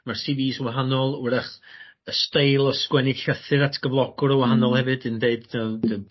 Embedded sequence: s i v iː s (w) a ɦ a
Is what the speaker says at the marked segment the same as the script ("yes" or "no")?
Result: yes